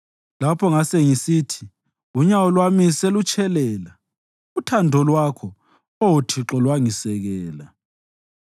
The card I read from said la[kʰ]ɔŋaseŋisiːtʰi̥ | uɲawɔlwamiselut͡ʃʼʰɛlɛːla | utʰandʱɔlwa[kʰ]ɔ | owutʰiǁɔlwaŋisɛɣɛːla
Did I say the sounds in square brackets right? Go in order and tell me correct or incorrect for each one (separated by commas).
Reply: incorrect, correct